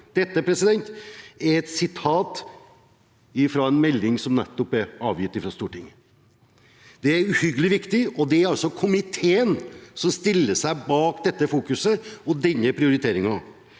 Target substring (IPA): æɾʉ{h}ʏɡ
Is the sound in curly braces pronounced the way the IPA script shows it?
yes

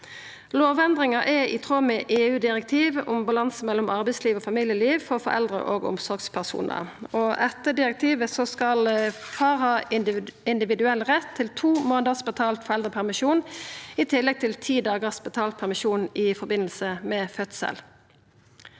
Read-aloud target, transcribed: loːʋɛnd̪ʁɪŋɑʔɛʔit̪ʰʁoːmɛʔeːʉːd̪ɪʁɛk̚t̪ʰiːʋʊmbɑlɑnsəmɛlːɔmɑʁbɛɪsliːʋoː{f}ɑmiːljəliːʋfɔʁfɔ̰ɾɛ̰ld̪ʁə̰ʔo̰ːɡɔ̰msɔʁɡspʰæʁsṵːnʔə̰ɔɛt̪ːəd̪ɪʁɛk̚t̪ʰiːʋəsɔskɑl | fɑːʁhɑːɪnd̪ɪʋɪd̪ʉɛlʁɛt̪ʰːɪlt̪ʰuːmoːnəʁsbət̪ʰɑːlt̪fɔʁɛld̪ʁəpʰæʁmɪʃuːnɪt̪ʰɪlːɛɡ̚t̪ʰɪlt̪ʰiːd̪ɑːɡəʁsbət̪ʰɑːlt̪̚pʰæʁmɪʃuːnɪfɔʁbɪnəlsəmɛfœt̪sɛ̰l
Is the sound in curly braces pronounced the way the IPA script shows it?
yes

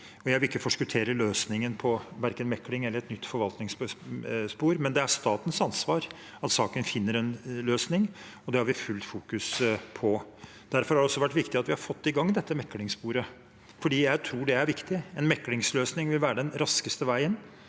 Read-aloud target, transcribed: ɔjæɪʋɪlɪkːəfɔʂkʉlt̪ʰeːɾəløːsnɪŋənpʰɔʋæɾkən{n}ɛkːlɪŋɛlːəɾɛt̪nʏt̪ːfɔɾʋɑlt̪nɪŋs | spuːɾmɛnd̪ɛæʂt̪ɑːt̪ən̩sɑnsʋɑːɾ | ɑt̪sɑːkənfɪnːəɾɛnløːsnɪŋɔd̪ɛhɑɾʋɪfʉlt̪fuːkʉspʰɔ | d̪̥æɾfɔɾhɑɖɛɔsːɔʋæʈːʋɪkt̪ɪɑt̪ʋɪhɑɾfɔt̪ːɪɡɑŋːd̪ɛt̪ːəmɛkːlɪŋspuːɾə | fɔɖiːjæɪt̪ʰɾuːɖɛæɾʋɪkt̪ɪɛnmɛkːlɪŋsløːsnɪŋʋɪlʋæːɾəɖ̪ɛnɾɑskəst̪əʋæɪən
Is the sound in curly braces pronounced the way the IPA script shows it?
no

